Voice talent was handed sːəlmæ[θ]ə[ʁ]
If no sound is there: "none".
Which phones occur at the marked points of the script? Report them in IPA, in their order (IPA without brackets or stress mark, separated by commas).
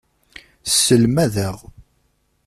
ð, ʁ